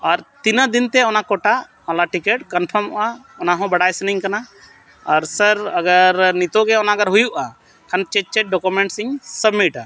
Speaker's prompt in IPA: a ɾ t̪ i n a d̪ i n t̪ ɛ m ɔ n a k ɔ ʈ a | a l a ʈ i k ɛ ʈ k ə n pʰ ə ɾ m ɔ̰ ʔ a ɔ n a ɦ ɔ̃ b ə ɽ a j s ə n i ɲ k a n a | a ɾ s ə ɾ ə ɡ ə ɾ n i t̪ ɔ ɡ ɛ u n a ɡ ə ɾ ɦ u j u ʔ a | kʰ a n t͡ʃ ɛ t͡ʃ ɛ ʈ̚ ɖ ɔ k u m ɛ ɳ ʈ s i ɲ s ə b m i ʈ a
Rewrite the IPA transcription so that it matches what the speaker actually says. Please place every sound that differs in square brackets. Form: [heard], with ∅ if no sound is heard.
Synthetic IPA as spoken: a ɾ t̪ i n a d̪ i n t̪ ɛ [∅] ɔ n a k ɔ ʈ a | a l a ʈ i k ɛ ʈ k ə n pʰ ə ɾ m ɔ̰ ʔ a ɔ n a ɦ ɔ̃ b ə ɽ a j s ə n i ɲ k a n a | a ɾ s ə ɾ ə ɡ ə ɾ n i t̪ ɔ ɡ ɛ [ɔ] n a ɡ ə ɾ ɦ u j u ʔ a | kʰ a n t͡ʃ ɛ t͡ʃ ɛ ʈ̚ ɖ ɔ k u m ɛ ɳ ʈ s i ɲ s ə b m i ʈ a